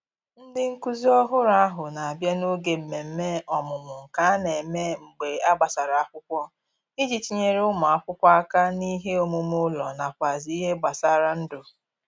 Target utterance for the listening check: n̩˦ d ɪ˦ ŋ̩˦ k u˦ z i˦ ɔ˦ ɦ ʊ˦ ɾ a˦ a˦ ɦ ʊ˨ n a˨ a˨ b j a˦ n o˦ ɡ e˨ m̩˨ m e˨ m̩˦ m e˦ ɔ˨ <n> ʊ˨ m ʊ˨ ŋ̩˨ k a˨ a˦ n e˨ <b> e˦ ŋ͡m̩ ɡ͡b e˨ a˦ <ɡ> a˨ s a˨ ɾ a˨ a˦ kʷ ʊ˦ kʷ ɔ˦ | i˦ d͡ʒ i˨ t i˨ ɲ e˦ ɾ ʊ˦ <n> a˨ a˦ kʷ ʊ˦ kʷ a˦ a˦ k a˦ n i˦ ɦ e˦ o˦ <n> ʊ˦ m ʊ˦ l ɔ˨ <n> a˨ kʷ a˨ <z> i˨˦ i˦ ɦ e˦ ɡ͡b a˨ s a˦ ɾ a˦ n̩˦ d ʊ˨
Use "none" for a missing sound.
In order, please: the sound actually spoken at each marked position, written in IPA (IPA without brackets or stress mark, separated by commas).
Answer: m, m, ɡ͡b, m, m, n, z